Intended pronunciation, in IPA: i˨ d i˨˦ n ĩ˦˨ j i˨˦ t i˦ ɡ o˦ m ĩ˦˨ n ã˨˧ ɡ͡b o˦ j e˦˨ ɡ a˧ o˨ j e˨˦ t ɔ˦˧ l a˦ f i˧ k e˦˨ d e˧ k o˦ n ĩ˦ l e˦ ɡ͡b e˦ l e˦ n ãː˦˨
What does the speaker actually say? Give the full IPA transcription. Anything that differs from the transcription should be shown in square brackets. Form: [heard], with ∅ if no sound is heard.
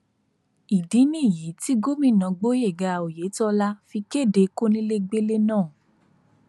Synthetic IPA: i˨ d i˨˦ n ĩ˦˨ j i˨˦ t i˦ ɡ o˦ m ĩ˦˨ n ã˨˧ ɡ͡b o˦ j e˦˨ ɡ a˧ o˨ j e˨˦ t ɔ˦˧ l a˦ f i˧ k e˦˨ d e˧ k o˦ n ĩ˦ l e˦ ɡ͡b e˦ l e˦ n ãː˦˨